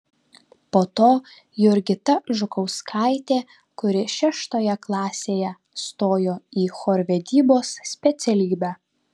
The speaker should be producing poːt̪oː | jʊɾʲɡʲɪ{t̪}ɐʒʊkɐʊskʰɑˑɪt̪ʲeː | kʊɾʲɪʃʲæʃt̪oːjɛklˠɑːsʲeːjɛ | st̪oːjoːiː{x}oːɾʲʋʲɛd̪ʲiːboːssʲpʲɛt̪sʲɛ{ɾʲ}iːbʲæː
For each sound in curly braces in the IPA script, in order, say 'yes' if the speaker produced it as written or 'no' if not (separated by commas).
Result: yes, yes, no